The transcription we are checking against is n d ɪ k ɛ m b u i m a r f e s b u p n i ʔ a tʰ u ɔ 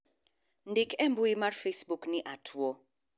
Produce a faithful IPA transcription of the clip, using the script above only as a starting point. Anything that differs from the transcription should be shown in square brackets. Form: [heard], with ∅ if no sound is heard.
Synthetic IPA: n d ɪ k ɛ m b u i m a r f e s b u [k] n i ʔ a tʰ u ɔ